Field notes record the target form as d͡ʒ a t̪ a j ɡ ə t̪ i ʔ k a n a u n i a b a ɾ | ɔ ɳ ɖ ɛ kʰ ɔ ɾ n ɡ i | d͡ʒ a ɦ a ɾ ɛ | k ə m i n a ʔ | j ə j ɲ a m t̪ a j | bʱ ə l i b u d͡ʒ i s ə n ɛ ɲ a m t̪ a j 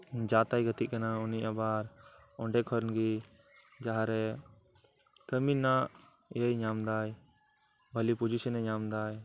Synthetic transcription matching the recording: d͡ʒ a t̪ a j ɡ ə t̪ i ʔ k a n a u n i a b a ɾ | ɔ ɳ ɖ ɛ kʰ ɔ ɾ n ɡ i | d͡ʒ a ɦ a ɾ ɛ | k ə m i n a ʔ | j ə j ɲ a m d̪ a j | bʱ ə l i p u d͡ʒ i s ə n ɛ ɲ a m d̪ a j